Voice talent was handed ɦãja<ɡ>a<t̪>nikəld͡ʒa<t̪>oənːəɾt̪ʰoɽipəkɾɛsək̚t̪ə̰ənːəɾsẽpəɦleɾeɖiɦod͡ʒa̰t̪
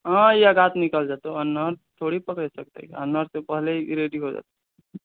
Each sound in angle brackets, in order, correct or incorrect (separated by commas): correct, correct, correct